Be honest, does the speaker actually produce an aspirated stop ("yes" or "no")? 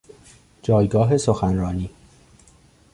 no